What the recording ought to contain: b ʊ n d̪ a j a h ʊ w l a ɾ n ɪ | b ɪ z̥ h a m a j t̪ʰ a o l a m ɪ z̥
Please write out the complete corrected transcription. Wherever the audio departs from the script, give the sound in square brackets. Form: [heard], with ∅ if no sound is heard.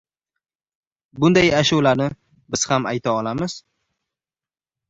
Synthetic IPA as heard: b ʊ n d̪ a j a [ʃ] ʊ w l a ɾ n ɪ | b ɪ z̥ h a m a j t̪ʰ a [ɒ] l a m ɪ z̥